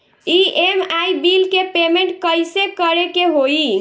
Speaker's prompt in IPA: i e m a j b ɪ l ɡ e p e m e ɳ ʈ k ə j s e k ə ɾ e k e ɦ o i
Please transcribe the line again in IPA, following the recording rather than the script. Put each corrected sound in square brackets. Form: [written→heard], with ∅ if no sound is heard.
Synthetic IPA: i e m a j b [ɪ→i] l [ɡ→k] e p e m e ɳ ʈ k ə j s e k ə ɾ e k e ɦ o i